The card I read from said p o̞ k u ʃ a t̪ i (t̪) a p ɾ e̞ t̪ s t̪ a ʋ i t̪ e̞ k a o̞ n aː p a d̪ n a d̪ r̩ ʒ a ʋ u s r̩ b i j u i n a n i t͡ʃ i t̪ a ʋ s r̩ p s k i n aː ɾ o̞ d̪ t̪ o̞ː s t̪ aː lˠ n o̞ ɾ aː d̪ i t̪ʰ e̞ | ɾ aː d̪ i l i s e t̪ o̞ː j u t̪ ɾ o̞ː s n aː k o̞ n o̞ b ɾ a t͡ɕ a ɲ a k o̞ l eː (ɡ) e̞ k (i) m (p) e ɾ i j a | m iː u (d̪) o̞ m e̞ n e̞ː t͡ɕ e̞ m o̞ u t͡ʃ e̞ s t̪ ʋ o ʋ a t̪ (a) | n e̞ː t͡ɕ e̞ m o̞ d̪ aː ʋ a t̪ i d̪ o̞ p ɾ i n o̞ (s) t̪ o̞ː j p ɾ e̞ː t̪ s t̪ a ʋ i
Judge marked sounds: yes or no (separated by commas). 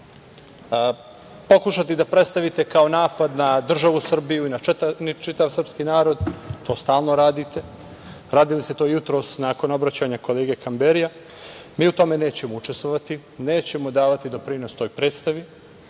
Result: no, yes, no, no, no, no, yes